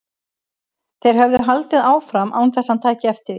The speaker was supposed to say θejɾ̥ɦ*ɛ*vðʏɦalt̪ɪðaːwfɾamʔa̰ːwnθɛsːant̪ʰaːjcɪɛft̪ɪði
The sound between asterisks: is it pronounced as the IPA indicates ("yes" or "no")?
no